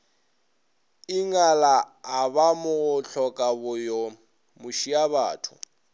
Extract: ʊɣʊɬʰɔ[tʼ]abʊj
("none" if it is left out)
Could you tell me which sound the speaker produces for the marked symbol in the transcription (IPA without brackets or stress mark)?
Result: kʼ